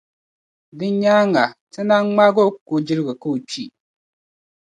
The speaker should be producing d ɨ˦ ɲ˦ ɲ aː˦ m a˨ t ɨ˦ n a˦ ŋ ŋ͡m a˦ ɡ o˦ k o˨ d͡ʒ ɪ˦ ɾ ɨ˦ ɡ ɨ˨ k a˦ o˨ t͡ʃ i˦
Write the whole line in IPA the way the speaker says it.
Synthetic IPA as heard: d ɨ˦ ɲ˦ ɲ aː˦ ŋ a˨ t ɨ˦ n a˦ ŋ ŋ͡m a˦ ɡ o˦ k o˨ d͡ʒ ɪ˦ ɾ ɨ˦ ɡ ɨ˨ k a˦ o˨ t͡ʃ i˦